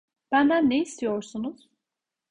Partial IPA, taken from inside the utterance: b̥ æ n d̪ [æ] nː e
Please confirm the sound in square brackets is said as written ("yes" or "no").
yes